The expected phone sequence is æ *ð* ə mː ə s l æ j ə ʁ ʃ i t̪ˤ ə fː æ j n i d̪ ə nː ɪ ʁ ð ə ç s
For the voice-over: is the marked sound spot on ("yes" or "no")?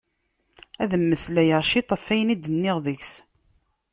yes